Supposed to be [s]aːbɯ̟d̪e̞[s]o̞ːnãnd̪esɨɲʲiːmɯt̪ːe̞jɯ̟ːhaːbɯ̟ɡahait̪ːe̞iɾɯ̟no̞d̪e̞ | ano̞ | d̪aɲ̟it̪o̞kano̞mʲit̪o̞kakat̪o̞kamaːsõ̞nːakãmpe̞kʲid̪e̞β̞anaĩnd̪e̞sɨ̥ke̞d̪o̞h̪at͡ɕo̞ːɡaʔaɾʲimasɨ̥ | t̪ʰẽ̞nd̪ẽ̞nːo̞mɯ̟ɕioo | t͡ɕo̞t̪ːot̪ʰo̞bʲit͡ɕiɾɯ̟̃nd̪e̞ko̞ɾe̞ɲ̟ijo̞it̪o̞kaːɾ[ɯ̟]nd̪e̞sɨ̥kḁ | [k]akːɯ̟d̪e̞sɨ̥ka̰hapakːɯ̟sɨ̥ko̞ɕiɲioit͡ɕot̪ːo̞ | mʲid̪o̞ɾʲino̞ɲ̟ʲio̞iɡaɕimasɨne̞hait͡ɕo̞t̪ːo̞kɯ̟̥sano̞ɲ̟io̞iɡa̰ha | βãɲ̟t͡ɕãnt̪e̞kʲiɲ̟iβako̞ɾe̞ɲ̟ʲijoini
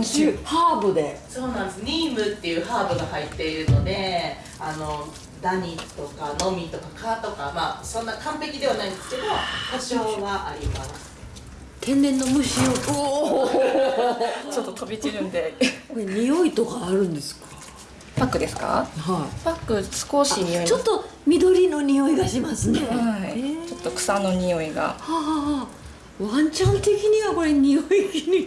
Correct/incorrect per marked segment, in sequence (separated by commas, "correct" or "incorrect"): incorrect, correct, incorrect, incorrect